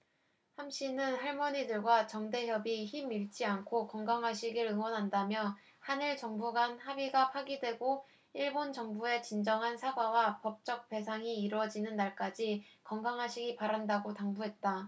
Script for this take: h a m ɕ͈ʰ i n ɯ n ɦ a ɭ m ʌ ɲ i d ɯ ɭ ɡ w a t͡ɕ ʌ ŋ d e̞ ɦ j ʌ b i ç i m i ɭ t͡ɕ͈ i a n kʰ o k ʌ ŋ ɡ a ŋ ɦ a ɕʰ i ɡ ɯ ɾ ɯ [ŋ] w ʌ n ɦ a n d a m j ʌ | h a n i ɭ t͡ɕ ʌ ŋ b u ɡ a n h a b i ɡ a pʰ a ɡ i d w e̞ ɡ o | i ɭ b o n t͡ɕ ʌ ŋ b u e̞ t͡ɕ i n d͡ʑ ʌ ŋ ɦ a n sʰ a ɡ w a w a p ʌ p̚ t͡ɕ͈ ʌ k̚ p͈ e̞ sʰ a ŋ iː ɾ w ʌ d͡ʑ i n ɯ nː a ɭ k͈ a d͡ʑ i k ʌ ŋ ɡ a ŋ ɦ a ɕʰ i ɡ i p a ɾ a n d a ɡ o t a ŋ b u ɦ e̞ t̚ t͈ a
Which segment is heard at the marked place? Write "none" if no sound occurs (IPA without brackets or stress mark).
ŋ